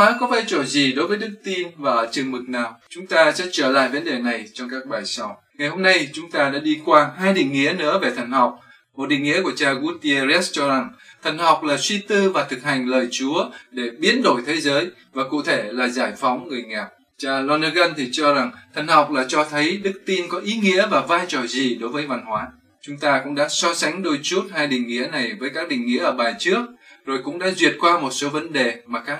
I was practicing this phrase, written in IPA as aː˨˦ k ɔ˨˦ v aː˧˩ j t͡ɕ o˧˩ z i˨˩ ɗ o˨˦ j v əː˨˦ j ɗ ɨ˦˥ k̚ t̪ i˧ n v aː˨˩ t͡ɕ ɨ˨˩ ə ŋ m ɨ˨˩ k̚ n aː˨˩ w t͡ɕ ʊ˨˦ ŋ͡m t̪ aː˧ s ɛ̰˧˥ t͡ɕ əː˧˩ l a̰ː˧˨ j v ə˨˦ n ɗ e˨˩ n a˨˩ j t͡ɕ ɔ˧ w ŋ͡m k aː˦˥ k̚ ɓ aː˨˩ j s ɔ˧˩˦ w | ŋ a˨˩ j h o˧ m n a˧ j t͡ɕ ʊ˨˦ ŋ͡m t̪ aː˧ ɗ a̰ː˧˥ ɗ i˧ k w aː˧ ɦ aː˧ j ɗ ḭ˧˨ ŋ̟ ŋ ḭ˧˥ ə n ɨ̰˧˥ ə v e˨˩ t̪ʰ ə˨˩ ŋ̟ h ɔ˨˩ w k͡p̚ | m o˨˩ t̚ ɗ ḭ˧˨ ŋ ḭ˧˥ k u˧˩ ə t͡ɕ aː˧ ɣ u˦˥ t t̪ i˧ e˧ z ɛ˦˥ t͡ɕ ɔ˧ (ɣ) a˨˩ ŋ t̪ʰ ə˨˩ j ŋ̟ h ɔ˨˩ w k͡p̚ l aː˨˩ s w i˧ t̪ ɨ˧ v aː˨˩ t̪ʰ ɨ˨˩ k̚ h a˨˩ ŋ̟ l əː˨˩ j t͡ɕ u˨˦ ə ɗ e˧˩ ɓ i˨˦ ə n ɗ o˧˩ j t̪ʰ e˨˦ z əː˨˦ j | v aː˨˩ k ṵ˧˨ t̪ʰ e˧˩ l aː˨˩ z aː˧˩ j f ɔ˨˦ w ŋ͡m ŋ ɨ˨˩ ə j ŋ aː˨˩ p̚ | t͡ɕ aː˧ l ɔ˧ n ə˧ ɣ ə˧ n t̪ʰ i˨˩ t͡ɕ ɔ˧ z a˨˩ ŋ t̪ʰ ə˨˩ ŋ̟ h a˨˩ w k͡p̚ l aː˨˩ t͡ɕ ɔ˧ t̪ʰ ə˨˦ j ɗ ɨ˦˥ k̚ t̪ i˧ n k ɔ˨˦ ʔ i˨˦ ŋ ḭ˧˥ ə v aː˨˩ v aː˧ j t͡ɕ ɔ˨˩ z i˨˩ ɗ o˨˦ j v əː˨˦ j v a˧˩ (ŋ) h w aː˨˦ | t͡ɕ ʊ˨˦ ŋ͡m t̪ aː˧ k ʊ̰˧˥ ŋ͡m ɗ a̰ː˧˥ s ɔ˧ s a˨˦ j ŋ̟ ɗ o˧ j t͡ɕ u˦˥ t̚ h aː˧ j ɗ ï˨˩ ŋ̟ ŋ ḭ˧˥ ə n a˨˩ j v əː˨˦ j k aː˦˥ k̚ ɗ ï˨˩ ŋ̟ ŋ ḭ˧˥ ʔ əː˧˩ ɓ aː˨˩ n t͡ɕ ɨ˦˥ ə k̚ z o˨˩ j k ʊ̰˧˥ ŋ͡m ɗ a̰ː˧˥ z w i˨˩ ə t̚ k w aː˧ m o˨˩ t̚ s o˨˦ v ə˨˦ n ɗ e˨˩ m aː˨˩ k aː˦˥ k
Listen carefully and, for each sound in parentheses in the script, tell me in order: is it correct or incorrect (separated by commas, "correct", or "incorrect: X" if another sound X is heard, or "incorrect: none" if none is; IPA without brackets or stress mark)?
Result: incorrect: z, incorrect: n